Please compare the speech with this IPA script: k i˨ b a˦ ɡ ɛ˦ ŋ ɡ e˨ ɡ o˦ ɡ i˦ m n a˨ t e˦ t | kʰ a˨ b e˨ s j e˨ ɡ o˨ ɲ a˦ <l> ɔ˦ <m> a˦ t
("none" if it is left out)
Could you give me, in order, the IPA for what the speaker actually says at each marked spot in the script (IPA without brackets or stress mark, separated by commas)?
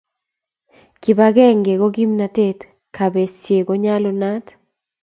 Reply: l, n